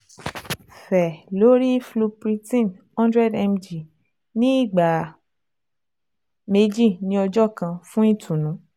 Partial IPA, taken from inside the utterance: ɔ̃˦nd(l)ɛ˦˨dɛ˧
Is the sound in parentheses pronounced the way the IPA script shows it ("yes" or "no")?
no